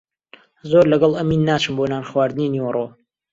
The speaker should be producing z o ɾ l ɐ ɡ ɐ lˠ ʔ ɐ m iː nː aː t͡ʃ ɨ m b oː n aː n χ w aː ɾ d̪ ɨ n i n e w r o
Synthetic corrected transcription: z o ɾ l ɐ ɡ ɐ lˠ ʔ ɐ m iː nː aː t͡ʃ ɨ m b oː n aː n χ w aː ɾ d̪ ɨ n i n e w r o